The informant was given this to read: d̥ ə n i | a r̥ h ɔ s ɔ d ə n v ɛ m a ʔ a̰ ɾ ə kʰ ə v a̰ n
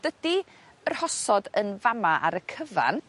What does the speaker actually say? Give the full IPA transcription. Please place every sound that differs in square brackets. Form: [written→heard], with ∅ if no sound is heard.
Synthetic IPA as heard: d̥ ə [n→d] i | [a→ə] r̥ h ɔ s ɔ d ə n v [ɛ→a] m a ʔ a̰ ɾ ə kʰ ə v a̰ n